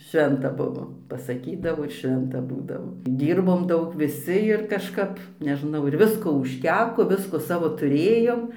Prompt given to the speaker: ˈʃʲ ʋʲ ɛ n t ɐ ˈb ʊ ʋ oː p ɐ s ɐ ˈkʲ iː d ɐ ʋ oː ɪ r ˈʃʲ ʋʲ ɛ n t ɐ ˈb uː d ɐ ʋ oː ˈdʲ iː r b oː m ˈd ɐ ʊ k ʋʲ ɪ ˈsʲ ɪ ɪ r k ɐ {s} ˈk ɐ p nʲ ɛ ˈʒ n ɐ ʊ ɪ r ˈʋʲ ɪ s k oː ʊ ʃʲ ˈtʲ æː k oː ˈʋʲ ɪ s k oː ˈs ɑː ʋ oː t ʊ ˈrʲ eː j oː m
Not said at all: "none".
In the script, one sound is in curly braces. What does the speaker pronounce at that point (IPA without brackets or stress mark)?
ʃ